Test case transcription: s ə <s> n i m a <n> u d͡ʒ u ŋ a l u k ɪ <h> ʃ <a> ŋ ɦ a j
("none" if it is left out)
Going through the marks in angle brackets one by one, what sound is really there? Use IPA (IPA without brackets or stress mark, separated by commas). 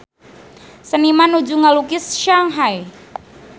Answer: none, n, s, a